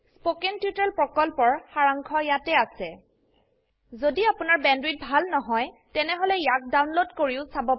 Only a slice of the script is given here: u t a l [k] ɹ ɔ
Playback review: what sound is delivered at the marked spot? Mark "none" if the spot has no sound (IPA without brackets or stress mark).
p